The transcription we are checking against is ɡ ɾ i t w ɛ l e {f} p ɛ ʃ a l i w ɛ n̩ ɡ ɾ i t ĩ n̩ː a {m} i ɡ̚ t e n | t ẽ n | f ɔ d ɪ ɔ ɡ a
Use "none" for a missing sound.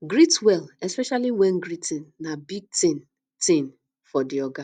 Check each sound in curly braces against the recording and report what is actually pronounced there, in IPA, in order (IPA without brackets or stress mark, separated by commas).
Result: s, b